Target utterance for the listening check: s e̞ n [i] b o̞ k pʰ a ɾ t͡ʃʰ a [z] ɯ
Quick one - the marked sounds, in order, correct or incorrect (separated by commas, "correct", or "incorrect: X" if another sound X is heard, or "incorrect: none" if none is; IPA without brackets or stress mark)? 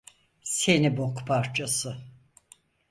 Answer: correct, incorrect: s